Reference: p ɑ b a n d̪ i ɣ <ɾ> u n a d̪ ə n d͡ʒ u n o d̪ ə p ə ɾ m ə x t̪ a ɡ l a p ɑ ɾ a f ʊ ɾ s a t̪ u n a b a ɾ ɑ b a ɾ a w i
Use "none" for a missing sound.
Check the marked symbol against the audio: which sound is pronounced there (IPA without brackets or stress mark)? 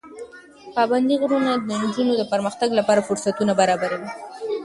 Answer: ɾ